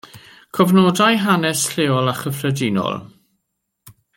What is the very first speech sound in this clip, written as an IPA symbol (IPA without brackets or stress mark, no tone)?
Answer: kʰ